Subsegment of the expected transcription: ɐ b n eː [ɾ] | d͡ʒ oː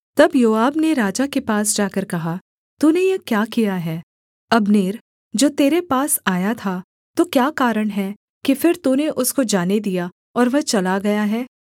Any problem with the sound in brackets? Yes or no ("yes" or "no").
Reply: no